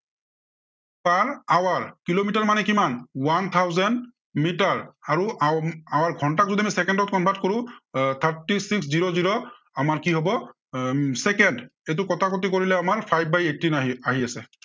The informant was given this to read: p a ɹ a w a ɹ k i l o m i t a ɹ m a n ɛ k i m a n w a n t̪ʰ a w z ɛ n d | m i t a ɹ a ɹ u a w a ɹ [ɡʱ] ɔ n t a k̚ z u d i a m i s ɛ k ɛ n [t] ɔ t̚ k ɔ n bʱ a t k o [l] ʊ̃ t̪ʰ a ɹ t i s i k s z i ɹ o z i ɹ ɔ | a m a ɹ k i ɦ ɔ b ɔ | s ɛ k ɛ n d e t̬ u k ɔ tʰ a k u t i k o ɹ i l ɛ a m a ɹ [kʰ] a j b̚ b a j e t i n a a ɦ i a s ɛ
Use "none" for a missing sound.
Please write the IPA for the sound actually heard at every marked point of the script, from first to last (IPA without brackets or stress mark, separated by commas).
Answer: ɡʱ, d, ɹ, pʰ